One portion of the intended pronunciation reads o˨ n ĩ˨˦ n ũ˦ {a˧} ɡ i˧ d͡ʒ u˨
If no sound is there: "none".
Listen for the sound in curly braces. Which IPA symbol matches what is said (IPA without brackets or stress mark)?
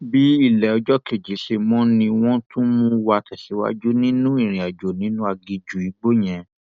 a˧